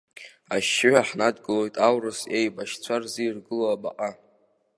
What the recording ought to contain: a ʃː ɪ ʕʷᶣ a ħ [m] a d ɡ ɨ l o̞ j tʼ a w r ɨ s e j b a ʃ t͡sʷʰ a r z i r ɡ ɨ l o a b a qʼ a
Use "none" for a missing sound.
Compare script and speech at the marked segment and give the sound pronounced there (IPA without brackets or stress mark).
n